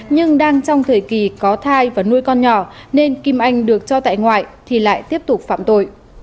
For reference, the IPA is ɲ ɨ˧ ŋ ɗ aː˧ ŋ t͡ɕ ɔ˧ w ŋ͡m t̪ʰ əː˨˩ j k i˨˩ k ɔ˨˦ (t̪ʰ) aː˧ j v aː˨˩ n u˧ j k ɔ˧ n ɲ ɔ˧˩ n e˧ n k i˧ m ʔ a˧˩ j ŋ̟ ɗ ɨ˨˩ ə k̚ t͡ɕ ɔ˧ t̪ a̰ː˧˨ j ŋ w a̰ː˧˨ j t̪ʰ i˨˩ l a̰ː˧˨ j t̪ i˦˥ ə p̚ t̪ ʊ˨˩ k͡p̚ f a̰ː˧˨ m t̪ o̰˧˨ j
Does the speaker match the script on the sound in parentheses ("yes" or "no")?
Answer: yes